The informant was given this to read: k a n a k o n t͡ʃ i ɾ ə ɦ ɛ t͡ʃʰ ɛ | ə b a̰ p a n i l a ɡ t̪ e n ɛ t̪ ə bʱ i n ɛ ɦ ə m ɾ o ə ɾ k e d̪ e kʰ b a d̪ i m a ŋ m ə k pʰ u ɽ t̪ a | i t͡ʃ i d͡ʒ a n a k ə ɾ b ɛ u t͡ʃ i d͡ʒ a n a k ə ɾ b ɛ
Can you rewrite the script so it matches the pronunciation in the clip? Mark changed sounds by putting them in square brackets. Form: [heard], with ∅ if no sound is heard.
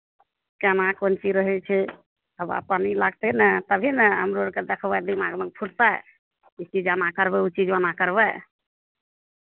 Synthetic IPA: k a n a k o n t͡ʃ i ɾ ə ɦ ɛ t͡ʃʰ ɛ | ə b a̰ p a n i l a ɡ t̪ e n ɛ t̪ ə bʱ i n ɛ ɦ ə m ɾ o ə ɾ k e d̪ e kʰ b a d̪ i m a [ɡ] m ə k pʰ u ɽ t̪ a | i t͡ʃ i d͡ʒ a n a k ə ɾ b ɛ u t͡ʃ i d͡ʒ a n a k ə ɾ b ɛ